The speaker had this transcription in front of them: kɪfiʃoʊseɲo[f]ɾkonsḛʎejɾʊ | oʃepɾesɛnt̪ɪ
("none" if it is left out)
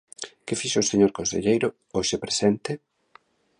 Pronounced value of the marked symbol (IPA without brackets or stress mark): none